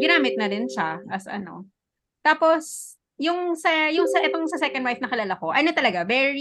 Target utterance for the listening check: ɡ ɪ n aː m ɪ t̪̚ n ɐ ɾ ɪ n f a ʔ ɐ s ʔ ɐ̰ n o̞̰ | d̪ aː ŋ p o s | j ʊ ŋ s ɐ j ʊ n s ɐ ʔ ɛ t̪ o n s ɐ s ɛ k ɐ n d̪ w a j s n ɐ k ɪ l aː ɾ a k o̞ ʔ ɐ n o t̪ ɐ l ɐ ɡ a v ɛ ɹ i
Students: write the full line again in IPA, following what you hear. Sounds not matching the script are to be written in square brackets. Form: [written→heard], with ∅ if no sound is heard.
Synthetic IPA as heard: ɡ ɪ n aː m ɪ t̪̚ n ɐ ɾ ɪ n [f→ʃ] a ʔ ɐ s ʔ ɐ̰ n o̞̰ | [d̪→t̪] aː [ŋ→∅] p o s | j ʊ ŋ s ɐ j ʊ [n→ŋ] s ɐ ʔ ɛ t̪ o [n→ŋ] s ɐ s ɛ k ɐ n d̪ w a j [s→f] n ɐ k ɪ l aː [ɾ→l] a k o̞ ʔ ɐ n o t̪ ɐ l ɐ ɡ a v ɛ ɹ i